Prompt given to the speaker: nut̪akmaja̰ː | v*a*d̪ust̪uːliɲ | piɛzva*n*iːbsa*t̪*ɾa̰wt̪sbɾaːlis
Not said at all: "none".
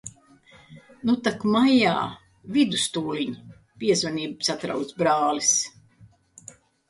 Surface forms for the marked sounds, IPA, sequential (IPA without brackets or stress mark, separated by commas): i, n, t̪